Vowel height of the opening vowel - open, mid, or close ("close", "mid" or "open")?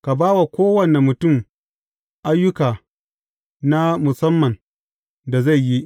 open